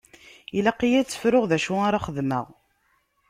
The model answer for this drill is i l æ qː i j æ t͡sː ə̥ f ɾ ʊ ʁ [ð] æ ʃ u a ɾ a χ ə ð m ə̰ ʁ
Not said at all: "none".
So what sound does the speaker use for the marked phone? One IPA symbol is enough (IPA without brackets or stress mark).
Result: ð